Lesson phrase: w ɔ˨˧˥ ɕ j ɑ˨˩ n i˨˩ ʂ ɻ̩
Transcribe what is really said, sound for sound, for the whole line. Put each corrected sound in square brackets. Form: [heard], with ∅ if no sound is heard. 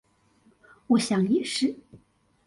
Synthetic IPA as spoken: w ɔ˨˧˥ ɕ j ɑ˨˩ [ŋ] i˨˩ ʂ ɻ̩